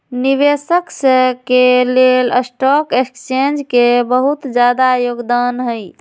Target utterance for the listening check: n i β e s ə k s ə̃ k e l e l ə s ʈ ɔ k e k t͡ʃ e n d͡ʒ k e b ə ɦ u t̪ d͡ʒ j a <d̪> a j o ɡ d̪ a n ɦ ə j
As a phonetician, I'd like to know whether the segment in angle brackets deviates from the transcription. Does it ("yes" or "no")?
no